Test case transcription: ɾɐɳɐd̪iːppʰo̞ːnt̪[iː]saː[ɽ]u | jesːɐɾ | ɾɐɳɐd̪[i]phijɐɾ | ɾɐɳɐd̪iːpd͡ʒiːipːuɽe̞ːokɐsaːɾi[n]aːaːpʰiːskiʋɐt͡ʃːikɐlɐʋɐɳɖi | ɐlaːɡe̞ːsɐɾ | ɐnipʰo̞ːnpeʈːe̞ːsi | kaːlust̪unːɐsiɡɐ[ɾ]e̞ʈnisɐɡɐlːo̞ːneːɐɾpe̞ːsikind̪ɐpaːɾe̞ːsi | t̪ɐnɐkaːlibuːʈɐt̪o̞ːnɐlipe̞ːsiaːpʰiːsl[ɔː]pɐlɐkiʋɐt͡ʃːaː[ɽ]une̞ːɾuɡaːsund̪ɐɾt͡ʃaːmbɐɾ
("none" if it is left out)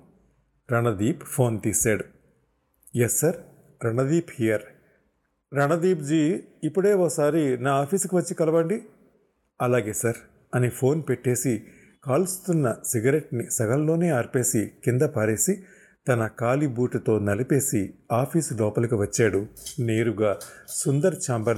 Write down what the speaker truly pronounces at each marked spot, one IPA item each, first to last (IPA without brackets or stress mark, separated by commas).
iː, ɽ, iː, n, ɾ, ɔː, ɽ